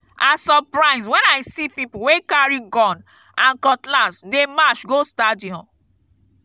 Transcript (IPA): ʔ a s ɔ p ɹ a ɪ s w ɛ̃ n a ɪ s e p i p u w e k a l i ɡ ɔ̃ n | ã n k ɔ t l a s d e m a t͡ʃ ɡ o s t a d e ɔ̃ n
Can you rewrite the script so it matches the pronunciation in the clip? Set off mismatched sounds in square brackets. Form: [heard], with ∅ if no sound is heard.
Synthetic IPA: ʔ a s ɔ p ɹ a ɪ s w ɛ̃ n a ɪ s [i] p i p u w e k a [ɹ] i ɡ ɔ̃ n | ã n k ɔ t l a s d e m a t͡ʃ ɡ o s t a d [i] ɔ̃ n